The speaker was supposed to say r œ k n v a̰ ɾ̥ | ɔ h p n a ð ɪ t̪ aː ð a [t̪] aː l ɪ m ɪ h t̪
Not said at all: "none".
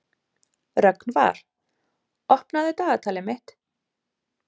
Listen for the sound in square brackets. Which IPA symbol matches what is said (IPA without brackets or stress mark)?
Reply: t̪ʰ